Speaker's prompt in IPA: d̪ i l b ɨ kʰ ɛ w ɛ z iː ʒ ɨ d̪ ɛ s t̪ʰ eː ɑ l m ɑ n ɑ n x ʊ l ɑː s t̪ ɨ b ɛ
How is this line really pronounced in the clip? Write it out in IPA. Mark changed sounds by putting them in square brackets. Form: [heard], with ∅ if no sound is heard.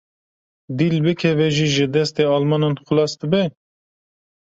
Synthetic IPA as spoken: d̪ i l b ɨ kʰ ɛ [v] ɛ [ʒ] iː ʒ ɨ d̪ ɛ s [t̪] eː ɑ l m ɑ n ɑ n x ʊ l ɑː s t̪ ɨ b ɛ